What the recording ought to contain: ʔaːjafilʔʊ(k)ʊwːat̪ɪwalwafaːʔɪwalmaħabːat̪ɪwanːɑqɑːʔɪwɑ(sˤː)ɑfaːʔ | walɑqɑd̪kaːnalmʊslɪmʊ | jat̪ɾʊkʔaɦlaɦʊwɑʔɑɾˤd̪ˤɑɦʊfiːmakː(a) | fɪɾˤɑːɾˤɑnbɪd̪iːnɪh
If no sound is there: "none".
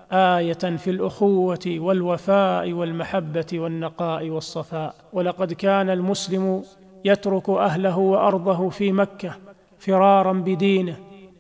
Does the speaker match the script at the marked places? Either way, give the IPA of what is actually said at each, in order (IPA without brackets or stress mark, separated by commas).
x, sˤː, a